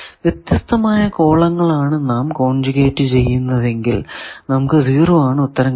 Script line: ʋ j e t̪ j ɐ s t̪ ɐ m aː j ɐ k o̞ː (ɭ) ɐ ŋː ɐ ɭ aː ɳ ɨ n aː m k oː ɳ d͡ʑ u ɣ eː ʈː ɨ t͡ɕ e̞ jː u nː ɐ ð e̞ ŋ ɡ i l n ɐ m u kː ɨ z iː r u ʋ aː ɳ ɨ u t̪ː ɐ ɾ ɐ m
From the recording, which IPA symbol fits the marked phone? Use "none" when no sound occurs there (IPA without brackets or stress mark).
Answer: ɭ